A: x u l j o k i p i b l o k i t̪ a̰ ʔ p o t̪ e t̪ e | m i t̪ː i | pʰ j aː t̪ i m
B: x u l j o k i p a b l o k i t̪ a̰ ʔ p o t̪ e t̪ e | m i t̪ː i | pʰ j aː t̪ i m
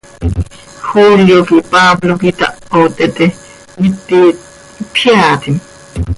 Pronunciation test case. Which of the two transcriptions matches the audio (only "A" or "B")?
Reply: B